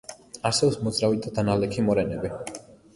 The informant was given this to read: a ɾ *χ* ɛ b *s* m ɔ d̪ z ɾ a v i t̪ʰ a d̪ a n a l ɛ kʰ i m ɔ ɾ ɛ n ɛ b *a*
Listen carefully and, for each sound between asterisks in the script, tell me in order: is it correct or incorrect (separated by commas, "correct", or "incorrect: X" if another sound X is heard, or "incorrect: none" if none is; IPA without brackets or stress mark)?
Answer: incorrect: s, correct, incorrect: i